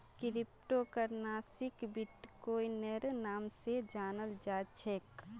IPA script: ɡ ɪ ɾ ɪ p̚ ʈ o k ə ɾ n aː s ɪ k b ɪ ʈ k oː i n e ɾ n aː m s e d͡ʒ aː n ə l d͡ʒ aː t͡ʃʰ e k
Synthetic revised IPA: k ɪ ɾ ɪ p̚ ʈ o k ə ɾ n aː s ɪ k b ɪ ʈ k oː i n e ɾ n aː m s e d͡ʒ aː n ə l d͡ʒ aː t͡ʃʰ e k